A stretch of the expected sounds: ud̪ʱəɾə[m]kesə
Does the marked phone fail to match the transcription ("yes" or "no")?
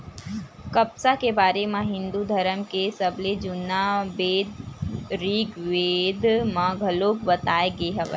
no